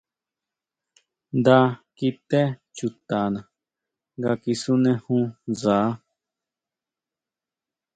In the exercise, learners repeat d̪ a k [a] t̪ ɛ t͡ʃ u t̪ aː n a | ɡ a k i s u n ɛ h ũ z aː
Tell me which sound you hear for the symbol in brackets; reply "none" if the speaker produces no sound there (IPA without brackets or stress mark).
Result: i